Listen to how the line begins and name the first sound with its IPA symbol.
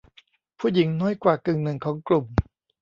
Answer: pʰ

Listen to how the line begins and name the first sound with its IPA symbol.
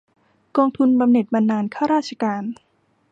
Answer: k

